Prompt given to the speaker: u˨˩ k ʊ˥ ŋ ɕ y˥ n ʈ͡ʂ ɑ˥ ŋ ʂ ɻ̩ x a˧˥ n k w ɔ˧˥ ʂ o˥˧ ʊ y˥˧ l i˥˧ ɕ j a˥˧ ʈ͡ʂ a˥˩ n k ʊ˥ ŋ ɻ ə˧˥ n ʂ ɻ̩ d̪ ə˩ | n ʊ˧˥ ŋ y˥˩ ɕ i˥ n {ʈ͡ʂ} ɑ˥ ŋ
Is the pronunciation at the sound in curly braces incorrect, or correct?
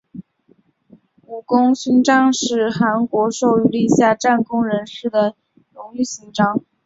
correct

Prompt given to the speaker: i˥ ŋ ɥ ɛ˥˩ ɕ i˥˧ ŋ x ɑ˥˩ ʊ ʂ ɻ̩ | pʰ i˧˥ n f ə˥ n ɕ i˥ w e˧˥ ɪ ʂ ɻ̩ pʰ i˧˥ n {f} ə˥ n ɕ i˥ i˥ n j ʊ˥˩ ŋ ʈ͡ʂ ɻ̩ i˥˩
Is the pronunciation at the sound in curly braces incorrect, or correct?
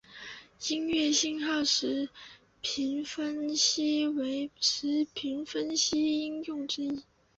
correct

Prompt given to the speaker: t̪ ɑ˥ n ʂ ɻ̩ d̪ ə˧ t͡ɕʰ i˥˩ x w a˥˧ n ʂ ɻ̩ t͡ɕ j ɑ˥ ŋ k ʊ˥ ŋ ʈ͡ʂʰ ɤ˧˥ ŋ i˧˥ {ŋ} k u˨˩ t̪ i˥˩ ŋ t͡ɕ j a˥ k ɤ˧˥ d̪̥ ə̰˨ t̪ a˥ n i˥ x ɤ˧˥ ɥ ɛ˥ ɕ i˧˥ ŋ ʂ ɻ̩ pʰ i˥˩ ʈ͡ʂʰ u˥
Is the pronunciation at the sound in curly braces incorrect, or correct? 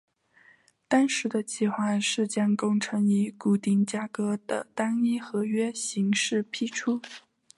incorrect: none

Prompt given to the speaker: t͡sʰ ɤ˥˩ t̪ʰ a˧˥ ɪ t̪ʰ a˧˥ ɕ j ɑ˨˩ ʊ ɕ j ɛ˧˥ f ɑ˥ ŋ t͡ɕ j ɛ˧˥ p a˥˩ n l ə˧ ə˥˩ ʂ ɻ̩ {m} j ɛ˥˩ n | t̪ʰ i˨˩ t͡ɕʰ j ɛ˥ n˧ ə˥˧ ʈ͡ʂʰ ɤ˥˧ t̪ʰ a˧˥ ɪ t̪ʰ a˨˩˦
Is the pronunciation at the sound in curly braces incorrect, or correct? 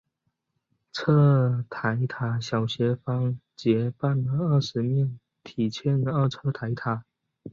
correct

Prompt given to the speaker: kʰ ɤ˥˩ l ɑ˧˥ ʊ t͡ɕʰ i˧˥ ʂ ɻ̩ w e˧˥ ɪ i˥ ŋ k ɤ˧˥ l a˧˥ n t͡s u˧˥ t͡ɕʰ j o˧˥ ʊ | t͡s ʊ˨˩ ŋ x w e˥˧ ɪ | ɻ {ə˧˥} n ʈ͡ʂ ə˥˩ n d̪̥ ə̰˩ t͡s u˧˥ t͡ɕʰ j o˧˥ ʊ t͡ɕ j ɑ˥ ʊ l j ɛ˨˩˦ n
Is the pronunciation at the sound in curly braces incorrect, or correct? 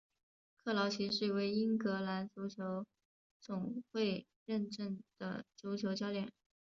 incorrect: ə˥˧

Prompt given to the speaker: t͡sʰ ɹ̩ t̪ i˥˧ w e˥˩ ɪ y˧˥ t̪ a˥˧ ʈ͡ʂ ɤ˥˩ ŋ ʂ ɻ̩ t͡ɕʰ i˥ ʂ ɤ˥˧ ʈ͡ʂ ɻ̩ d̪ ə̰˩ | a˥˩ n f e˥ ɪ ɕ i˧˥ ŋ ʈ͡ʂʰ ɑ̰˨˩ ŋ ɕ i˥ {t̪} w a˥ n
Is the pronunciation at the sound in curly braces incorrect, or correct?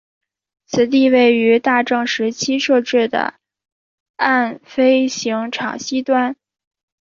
correct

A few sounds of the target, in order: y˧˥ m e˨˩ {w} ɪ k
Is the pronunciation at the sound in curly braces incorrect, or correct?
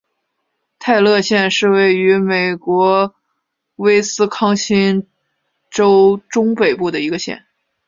incorrect: none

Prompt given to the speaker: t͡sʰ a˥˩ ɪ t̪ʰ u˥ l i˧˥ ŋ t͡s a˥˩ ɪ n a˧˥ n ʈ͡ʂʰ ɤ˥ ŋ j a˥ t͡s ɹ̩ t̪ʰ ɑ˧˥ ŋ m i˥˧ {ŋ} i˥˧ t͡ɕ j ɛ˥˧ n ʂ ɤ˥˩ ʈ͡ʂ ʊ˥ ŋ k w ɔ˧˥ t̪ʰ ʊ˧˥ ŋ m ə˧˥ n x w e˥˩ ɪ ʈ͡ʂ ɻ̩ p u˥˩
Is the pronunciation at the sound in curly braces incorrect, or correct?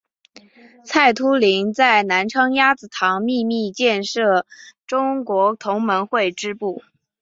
incorrect: m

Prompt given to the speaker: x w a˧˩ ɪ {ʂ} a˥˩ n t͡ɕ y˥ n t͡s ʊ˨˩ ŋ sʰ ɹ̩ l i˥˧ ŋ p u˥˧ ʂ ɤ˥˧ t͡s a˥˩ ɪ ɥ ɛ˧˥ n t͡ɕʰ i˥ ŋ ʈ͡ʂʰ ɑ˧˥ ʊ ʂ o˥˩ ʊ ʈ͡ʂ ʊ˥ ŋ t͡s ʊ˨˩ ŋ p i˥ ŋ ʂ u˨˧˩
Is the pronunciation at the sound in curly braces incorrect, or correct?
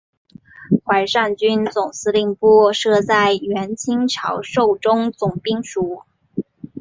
correct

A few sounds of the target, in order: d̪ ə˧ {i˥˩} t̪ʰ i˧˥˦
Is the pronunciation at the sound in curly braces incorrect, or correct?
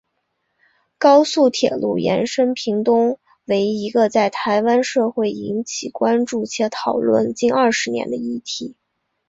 correct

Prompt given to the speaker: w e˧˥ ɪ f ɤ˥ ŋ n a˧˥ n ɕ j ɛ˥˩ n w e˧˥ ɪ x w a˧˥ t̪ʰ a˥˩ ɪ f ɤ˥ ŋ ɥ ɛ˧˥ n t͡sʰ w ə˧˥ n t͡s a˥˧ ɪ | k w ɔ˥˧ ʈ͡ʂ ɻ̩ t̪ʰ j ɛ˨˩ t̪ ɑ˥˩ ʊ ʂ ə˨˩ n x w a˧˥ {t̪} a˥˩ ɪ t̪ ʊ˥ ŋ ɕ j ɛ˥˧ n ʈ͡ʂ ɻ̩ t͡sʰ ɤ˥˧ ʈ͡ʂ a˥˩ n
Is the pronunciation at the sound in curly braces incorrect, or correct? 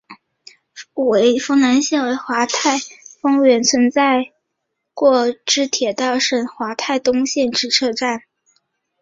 incorrect: t̪ʰ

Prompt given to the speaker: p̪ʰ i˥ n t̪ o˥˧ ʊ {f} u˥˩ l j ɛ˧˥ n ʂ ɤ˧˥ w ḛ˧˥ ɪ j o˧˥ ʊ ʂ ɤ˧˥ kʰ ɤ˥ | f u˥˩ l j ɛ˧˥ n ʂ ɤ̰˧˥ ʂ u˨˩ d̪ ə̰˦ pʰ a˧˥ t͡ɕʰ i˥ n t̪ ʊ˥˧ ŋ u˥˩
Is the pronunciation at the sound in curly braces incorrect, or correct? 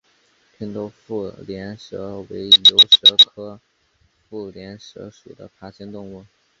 correct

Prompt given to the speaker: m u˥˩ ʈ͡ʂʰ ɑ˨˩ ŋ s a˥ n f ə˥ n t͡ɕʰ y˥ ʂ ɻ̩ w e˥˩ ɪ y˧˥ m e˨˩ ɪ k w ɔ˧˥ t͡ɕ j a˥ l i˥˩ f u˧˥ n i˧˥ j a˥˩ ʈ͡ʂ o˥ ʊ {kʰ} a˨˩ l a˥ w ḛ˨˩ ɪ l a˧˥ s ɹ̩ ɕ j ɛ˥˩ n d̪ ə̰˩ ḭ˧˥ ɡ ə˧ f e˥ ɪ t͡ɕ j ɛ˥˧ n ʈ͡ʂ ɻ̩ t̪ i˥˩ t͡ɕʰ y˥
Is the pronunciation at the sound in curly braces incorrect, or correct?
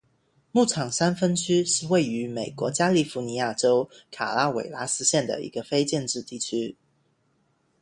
correct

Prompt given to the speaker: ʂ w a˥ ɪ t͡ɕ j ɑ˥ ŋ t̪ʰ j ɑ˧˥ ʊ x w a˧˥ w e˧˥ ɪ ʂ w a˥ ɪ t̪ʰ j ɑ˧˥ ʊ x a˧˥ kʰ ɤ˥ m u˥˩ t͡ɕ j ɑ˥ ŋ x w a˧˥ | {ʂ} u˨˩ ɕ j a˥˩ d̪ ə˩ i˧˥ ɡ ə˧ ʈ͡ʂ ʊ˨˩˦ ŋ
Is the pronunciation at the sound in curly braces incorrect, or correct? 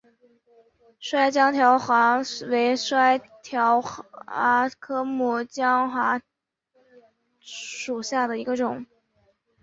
correct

